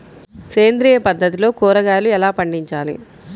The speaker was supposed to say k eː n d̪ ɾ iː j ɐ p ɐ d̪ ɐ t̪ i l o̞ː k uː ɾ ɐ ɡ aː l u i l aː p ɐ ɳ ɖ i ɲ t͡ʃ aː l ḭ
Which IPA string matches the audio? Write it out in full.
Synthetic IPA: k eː n d̪ ɾ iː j ɐ p ɐ d̪ː ɐ t̪ i l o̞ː k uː ɾ ɐ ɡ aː l u ɛ l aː p ɐ ɳ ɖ i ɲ t͡ʃ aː l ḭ